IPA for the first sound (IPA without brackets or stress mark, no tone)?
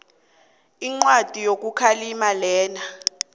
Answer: i